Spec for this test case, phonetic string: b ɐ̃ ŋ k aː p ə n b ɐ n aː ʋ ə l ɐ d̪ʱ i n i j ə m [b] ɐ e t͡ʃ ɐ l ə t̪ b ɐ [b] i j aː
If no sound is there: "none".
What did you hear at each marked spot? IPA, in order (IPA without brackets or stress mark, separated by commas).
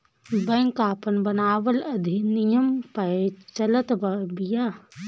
p, b